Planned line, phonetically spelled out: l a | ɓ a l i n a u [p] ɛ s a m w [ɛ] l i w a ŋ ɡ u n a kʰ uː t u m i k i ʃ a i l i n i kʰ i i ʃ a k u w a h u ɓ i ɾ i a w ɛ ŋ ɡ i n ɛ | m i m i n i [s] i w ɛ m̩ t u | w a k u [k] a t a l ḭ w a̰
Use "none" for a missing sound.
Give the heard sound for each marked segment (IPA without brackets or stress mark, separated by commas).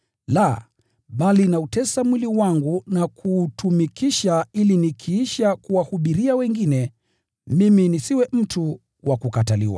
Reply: t, i, s, k